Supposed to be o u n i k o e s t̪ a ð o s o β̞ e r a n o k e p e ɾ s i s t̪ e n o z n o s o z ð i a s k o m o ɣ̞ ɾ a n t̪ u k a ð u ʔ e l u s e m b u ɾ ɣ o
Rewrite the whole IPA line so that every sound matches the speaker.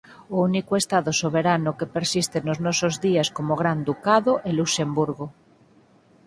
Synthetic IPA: o u n i k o e s t̪ a ð o s o β̞ e ɾ a n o k e p e ɾ s i s t̪ e n o z n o s o z ð i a s k o m o ɣ̞ ɾ a n d̪ u k a ð o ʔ e l u s e m b u ɾ ɣ o